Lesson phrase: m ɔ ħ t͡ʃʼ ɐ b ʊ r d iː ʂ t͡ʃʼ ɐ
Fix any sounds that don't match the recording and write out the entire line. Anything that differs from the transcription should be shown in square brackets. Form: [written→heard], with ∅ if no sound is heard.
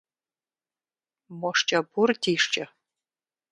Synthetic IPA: m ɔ [ħ→ʂ] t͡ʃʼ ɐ b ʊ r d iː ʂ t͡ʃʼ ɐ